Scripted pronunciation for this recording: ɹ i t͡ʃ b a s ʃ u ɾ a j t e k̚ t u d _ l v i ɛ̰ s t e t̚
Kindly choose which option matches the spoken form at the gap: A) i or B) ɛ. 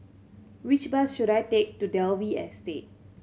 B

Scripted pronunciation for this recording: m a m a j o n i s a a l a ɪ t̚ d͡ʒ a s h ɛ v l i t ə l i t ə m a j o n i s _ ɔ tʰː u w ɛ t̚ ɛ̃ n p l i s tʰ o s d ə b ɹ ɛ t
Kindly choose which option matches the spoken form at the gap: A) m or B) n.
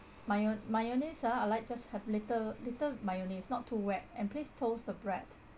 B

